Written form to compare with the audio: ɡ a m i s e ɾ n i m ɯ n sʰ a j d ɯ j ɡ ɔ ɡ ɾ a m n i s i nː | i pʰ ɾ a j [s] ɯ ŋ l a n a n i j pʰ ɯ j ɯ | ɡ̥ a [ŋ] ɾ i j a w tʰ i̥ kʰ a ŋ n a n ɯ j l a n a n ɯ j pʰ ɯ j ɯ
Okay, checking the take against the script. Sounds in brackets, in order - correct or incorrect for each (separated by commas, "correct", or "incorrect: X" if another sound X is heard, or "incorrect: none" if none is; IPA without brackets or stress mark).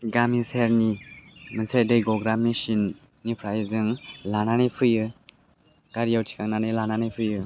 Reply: incorrect: z, incorrect: none